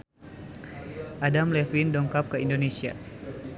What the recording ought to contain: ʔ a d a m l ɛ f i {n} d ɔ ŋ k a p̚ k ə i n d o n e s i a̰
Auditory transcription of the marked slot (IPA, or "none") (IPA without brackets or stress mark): n